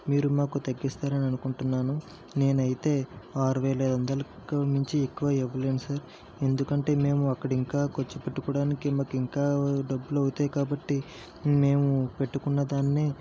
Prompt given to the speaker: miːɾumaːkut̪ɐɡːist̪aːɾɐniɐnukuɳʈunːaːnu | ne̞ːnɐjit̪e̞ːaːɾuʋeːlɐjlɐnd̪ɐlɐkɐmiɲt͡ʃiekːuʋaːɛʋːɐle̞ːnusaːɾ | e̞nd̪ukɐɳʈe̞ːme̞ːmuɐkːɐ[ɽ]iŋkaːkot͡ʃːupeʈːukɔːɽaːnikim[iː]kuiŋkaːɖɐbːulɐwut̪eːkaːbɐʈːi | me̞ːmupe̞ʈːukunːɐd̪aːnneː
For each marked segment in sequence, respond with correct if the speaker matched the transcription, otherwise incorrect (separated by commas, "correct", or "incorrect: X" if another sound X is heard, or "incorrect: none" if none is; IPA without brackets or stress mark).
correct, incorrect: aː